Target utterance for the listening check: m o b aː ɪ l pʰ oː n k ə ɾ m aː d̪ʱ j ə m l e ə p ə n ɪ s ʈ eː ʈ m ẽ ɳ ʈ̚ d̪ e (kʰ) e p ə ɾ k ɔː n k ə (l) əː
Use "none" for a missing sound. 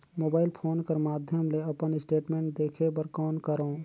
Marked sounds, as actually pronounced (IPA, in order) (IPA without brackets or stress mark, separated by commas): kʰ, ɾ